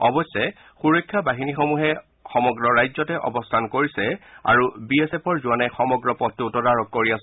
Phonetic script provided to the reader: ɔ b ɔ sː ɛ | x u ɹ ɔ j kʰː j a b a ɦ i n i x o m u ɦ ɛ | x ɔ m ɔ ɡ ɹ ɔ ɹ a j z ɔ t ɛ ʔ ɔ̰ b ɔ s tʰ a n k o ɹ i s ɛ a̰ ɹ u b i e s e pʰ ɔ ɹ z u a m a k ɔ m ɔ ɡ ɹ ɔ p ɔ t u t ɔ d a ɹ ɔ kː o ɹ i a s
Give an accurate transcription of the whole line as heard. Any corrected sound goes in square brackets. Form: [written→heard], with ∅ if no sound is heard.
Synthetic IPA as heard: ɔ b ɔ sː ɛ | x u ɹ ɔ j kʰː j a b a ɦ i n i x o m u ɦ ɛ | x ɔ m ɔ ɡ ɹ ɔ ɹ a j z ɔ t ɛ ʔ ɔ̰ b ɔ s tʰ a n k o ɹ i s ɛ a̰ ɹ u b i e s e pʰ ɔ ɹ z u a [m→n] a [k→x] ɔ m ɔ ɡ ɹ ɔ p ɔ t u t ɔ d a ɹ ɔ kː o ɹ i a s